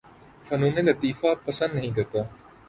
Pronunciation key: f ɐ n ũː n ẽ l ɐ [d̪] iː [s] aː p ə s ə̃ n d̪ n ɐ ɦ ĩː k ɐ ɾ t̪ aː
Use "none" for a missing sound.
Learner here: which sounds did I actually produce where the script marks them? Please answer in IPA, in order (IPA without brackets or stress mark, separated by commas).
t̪, f